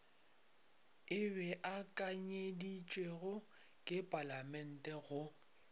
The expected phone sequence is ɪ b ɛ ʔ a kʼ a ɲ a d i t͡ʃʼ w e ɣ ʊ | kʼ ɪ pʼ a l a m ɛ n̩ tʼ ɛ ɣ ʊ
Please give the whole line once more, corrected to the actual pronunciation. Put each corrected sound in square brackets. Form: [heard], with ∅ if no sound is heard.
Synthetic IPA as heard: ɪ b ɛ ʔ a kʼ a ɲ [e] d i t͡ʃʼ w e ɣ ʊ | kʼ ɪ pʼ a l a m ɛ n̩ tʼ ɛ ɣ ʊ